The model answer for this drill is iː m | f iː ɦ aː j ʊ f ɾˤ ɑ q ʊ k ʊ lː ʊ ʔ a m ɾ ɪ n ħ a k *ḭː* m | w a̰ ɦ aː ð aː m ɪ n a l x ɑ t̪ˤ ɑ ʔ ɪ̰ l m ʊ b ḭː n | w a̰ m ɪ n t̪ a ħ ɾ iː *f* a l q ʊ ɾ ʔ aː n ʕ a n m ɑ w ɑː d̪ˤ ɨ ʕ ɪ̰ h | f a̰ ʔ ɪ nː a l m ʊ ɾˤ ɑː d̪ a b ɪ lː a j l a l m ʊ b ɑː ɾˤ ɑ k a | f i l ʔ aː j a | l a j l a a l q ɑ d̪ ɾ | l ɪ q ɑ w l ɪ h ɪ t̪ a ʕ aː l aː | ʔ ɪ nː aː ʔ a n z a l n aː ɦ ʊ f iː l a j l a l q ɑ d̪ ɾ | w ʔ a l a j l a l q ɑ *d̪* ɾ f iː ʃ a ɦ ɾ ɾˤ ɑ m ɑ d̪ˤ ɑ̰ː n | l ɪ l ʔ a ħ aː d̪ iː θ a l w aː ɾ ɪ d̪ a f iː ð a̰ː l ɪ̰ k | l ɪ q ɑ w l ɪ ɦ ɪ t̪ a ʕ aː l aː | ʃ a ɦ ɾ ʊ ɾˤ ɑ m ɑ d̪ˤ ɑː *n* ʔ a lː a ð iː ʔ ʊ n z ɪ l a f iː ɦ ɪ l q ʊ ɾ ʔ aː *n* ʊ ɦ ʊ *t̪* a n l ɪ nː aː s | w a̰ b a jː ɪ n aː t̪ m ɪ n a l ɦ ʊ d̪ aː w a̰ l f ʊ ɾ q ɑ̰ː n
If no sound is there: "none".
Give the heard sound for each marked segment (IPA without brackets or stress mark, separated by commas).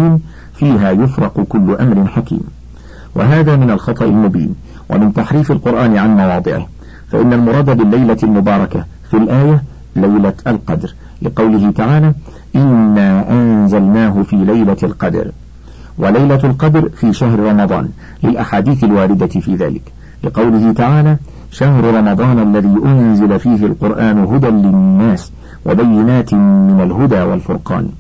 ḭː, f, d̪, n, n, d̪